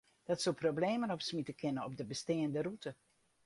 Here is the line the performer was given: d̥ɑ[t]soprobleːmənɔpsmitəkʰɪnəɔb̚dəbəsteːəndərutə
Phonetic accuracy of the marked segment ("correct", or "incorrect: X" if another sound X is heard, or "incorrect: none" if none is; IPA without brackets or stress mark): correct